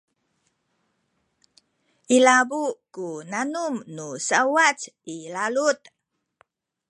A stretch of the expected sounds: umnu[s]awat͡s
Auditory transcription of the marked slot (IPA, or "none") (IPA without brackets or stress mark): s